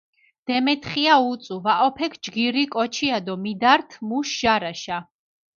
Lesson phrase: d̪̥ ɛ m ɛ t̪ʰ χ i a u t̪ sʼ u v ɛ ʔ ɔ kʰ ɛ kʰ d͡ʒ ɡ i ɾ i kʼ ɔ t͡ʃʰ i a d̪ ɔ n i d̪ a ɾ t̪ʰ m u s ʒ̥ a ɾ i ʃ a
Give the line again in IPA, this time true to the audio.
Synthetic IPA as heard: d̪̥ ɛ m ɛ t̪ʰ χ i a u t̪ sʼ u v a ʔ ɔ pʰ ɛ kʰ d͡ʒ ɡ i ɾ i kʼ ɔ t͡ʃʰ i a d̪ ɔ m i d̪ a ɾ t̪ʰ m u ʃ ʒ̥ a ɾ a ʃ a